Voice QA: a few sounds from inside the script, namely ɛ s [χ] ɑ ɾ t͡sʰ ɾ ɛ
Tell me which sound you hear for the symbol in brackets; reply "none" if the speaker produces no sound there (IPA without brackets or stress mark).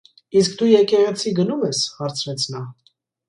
h